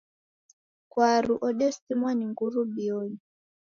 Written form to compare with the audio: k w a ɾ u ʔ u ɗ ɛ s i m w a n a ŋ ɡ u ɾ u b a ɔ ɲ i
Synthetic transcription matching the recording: k w a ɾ u ʔ ɔ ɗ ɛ s i m w a n i ŋ ɡ u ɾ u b i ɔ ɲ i